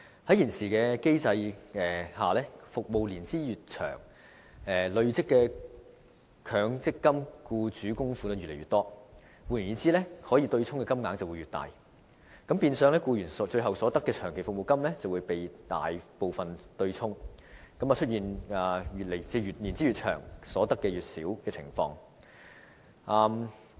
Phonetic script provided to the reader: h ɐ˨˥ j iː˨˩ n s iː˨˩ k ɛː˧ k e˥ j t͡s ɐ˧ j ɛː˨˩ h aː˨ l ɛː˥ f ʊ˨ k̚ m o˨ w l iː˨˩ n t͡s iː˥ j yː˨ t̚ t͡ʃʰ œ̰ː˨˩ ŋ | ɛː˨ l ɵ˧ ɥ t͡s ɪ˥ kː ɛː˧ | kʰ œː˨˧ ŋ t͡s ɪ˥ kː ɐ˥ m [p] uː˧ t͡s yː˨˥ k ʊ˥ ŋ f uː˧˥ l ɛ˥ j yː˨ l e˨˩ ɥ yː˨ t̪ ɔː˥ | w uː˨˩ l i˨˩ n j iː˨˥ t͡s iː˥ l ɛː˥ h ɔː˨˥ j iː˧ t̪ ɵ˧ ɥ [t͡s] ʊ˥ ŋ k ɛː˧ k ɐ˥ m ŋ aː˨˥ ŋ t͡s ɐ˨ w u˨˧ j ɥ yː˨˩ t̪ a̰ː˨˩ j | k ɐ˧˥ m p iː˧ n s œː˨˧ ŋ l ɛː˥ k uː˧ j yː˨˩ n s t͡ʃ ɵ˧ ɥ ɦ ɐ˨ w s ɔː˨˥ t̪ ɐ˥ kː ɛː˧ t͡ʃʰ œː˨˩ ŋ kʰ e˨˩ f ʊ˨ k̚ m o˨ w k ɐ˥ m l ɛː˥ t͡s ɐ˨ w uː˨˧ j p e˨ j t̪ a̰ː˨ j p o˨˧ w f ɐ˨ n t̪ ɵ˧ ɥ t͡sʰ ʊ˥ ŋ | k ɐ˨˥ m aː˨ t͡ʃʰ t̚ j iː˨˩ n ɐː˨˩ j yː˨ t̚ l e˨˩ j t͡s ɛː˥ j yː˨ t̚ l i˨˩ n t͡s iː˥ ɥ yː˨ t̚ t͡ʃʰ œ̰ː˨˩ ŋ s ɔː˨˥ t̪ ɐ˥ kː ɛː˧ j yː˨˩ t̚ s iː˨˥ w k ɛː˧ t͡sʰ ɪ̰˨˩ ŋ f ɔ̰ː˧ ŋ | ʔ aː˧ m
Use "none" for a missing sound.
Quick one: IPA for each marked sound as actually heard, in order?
k, t͡sʰ

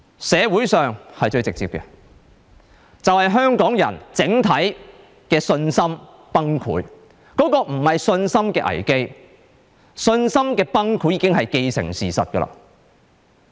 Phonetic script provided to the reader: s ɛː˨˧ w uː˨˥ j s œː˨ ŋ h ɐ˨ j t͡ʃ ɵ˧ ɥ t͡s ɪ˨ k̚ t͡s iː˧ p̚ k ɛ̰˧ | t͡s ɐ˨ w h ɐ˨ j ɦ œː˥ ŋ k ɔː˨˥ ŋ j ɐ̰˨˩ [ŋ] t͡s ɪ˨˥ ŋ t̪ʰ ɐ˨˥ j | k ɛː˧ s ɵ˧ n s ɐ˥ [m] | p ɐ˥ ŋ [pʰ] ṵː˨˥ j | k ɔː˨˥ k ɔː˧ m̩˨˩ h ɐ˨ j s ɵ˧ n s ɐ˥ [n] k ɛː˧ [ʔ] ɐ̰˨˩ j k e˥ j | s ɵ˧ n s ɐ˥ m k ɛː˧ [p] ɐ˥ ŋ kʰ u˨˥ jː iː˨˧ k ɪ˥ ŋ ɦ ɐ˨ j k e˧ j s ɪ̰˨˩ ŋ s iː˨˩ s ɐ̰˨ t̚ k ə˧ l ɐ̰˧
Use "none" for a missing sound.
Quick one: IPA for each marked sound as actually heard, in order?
n, m, kʰ, m, ʔ, p

